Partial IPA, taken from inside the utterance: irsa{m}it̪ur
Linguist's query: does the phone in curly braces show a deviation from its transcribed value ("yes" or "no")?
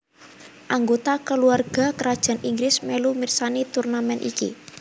yes